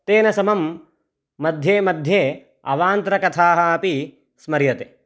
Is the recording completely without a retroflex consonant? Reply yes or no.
yes